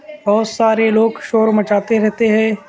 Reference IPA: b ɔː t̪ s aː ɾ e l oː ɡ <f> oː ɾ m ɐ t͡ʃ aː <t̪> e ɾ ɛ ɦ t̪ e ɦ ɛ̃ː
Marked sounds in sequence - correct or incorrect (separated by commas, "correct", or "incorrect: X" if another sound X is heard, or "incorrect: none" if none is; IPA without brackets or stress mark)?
incorrect: ʃ, correct